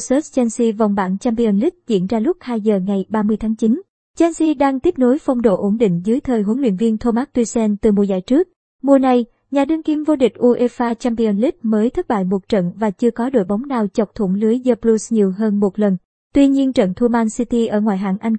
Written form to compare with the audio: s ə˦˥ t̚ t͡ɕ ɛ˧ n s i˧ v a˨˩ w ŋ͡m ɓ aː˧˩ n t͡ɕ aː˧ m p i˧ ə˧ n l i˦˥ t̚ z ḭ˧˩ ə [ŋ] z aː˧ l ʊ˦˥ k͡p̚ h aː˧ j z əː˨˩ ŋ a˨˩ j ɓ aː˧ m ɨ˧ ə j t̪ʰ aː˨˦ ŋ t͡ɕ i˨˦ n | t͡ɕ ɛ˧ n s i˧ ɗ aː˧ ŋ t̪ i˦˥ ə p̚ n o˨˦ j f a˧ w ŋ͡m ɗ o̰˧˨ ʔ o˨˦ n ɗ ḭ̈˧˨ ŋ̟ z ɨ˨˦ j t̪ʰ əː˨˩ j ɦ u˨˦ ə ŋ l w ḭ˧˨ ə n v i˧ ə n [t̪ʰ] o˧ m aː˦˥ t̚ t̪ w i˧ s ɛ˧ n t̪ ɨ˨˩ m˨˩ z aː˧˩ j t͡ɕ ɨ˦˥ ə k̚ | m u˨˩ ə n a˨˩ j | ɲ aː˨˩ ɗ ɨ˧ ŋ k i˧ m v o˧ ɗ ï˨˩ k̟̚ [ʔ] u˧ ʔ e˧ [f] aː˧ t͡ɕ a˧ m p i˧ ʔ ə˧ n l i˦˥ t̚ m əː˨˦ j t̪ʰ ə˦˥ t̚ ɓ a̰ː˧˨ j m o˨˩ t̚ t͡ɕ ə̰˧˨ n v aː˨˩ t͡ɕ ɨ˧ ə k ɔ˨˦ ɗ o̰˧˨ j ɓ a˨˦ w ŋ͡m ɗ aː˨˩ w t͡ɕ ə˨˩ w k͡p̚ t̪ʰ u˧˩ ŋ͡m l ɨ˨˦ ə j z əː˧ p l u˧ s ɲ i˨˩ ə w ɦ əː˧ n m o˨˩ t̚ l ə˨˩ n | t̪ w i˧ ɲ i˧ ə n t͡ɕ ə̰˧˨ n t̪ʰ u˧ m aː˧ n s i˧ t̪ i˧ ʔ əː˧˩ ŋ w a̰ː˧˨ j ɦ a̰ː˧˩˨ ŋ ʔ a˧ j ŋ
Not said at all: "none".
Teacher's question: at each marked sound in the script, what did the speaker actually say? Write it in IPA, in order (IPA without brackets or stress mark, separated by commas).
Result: n, t̪ʰ, ʔ, f